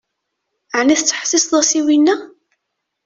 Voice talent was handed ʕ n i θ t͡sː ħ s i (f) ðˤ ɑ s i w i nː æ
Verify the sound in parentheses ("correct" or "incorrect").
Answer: incorrect